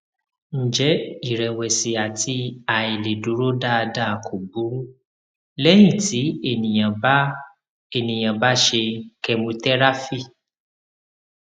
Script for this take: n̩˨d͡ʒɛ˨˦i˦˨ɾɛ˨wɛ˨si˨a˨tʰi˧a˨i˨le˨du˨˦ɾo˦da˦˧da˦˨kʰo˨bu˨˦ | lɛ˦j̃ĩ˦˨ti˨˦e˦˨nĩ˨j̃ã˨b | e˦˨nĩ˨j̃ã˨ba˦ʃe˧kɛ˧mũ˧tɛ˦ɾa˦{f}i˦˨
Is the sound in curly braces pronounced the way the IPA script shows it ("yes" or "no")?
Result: yes